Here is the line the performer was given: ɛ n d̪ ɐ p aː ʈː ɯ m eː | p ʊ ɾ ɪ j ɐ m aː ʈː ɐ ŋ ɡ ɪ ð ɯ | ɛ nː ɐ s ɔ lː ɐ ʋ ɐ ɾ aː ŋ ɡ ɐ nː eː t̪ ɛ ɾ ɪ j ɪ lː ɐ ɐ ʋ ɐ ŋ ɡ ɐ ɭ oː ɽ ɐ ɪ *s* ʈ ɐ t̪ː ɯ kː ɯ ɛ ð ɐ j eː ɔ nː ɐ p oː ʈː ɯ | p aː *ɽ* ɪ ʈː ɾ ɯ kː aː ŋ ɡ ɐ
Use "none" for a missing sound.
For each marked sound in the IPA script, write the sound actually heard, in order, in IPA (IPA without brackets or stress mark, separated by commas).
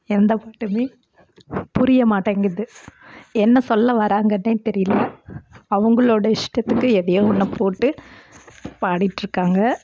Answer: ʂ, ɽ